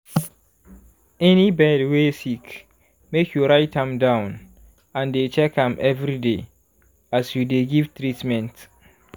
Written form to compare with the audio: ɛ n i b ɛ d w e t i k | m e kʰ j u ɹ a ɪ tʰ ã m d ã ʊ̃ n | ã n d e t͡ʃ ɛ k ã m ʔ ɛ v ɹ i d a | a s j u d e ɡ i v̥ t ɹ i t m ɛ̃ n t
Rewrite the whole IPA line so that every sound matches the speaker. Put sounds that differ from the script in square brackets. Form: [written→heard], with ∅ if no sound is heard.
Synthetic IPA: ɛ n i b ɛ d w e [t→s] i k | m e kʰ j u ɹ a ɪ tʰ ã m d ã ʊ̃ n | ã n d e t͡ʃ ɛ k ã m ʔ ɛ v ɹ i d [a→e] | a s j u d e ɡ i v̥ t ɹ i t m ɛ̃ n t